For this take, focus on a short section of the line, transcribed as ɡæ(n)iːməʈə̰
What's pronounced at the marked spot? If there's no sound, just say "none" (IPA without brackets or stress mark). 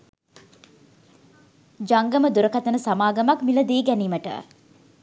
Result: n